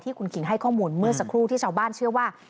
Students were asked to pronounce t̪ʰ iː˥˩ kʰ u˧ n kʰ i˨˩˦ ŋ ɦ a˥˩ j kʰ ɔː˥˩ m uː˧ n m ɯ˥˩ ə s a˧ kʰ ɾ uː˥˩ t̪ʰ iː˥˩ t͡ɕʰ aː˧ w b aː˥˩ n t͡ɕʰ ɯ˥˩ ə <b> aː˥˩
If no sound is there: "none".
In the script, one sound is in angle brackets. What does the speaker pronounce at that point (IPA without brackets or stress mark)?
w